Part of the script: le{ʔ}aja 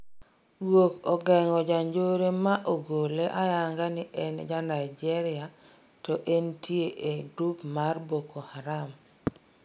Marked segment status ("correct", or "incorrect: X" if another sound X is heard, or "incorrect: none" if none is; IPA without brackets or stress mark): correct